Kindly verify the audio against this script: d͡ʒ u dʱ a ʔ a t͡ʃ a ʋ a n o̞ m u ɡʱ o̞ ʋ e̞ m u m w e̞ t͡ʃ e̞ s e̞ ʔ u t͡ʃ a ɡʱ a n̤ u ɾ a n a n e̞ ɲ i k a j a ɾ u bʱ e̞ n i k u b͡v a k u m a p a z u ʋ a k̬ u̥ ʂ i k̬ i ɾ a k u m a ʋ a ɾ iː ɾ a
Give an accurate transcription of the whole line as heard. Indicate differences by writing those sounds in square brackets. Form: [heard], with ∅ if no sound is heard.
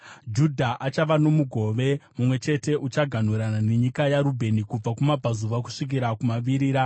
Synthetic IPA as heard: d͡ʒ u dʱ a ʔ a t͡ʃ a ʋ a n o̞ m u ɡʱ o̞ ʋ e̞ m u m w e̞ t͡ʃ e̞ [t] e̞ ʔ u t͡ʃ a ɡʱ a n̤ u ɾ a n a n e̞ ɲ i k a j a ɾ u bʱ e̞ n i k u b͡v a k u m a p a z u ʋ a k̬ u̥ ʂ i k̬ i ɾ a k u m a ʋ [i] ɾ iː ɾ a